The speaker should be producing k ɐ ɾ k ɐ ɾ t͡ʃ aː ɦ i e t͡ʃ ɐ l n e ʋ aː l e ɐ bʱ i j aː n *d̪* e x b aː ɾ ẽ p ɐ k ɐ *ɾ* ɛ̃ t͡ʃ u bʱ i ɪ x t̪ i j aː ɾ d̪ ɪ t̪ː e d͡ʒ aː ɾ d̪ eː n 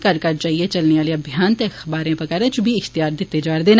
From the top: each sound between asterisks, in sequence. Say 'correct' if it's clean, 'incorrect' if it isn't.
incorrect: t̪, correct

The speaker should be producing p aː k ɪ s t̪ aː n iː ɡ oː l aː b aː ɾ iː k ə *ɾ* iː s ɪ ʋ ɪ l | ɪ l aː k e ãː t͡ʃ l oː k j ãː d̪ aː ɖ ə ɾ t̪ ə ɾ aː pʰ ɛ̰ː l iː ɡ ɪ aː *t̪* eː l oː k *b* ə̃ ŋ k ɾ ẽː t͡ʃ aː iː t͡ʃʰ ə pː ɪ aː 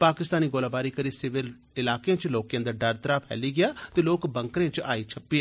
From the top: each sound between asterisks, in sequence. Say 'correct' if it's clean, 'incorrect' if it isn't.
correct, correct, correct

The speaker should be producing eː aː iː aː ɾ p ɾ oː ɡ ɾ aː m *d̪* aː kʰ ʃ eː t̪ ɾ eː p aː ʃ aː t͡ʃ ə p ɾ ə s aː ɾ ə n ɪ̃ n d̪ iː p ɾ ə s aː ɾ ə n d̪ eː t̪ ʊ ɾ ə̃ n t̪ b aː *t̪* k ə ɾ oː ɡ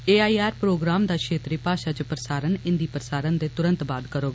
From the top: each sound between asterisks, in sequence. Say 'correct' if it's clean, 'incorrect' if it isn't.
correct, incorrect: d̪

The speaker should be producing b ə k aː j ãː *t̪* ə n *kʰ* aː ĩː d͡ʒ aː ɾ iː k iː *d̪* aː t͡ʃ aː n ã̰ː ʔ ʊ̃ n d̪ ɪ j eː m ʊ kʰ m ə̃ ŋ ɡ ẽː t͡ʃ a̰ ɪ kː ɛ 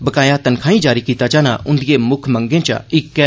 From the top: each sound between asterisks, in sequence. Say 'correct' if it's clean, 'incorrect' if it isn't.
correct, correct, incorrect: t̪

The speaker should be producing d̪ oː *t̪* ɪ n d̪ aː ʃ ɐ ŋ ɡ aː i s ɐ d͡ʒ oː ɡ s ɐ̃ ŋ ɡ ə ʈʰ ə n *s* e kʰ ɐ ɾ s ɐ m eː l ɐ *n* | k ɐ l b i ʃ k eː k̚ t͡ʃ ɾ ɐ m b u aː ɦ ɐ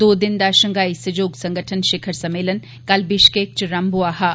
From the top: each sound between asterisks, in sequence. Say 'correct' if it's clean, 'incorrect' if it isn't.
incorrect: d̪, incorrect: ʃ, correct

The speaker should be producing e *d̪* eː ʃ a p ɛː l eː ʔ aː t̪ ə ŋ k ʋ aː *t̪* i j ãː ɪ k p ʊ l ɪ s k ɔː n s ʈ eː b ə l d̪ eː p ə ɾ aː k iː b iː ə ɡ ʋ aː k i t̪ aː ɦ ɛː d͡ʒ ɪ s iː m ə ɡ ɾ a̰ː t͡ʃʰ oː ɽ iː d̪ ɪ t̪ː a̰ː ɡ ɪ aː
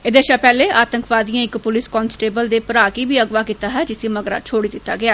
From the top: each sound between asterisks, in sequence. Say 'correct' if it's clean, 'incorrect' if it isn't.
correct, incorrect: d̪

